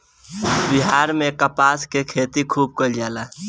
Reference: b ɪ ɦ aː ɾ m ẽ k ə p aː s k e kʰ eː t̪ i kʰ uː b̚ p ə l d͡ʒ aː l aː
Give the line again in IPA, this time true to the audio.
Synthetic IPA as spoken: b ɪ ɦ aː ɾ m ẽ k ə p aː s k e kʰ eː t̪ i kʰ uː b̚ k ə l d͡ʒ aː l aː